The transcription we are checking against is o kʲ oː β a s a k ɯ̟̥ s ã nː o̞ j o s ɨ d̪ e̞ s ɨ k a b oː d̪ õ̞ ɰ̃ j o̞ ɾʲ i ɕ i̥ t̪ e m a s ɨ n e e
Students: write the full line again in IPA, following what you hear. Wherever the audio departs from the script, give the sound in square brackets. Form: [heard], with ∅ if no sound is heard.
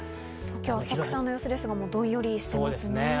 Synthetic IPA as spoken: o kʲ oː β a s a k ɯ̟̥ s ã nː o̞ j o s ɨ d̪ e̞ s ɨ [ɡ] a [m] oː d̪ õ̞ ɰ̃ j o̞ ɾʲ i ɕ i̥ t̪ e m a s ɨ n e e